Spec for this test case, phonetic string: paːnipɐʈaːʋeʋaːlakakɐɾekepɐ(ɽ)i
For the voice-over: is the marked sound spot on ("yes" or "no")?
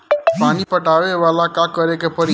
no